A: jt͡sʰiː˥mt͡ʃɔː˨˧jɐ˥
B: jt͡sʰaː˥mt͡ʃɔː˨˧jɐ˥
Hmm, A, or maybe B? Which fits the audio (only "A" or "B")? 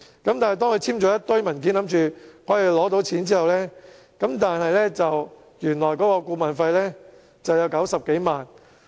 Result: A